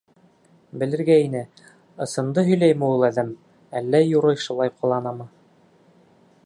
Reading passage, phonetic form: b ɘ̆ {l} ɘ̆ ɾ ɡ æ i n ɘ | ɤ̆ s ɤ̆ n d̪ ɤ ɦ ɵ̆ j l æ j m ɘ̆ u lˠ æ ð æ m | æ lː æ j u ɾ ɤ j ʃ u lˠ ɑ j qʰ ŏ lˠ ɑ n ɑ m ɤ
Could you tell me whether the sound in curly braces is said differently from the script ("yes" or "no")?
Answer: no